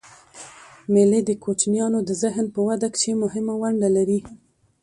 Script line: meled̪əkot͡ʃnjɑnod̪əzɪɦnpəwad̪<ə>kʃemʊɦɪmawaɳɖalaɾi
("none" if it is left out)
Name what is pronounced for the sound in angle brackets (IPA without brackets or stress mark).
a